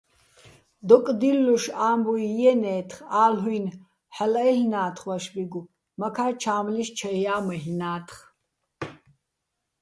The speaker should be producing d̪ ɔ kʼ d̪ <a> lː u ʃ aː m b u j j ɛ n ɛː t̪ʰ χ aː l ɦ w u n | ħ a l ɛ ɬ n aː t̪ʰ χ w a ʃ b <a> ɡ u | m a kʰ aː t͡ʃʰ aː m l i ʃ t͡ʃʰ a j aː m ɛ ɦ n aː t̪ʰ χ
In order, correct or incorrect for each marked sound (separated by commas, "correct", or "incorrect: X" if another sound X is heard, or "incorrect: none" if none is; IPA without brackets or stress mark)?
incorrect: i, incorrect: i